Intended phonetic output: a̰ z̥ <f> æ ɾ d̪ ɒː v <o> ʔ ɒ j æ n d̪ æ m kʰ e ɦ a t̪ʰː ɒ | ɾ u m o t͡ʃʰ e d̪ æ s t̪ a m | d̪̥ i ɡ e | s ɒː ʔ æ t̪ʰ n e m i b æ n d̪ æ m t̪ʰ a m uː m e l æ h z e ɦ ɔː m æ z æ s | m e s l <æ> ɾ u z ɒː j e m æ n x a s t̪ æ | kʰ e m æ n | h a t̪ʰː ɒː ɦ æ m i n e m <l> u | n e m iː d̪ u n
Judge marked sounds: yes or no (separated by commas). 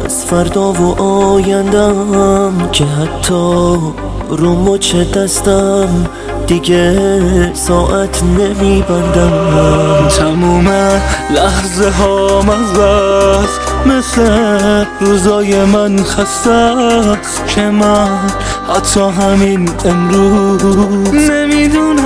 yes, yes, no, no